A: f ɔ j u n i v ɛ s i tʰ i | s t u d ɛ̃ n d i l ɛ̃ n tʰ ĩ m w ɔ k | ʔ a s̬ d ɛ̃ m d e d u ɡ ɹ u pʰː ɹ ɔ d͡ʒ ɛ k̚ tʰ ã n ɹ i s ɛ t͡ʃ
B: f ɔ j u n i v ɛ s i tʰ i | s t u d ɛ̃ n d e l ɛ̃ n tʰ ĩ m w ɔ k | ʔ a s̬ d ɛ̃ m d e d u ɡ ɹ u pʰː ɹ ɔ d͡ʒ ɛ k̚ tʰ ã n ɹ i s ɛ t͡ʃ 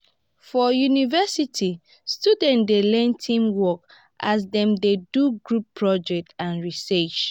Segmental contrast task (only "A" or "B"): B